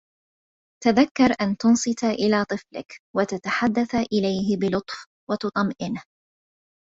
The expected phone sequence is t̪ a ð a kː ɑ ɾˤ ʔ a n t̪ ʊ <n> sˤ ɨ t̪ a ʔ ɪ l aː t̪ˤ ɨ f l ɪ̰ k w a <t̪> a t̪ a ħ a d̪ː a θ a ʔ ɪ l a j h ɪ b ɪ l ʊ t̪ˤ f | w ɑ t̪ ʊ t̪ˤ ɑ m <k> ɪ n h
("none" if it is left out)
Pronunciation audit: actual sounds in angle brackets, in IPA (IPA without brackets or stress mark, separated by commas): n, t̪, ʔ